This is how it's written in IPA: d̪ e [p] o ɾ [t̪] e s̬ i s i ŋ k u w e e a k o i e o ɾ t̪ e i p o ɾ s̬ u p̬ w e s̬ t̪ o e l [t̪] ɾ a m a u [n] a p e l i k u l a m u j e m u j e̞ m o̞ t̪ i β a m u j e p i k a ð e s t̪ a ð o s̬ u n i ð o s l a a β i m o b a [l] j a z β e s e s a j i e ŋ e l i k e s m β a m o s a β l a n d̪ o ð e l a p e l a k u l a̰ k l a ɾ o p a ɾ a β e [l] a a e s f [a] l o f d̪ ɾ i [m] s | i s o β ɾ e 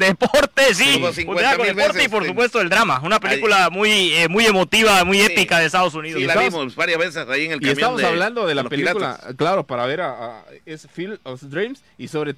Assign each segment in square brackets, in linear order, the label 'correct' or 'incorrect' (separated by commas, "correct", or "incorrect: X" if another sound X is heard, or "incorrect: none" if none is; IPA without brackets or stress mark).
correct, correct, incorrect: d̪, correct, incorrect: ɾ, incorrect: ɾ, incorrect: i, correct